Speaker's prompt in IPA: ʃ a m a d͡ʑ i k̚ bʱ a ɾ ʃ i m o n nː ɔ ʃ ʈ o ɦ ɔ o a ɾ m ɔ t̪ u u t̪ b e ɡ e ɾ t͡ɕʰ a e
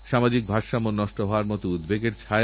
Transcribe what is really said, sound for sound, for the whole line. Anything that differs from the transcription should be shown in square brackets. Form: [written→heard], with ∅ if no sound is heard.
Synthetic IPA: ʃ a m a d͡ʑ i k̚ bʱ a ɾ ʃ [i→a] m o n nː ɔ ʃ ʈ o ɦ ɔ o a ɾ m ɔ t̪ [u→o] u [t̪→d̪] b e ɡ e ɾ t͡ɕʰ a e